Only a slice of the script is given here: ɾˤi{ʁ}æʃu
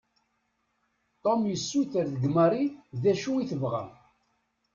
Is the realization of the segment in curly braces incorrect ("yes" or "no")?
yes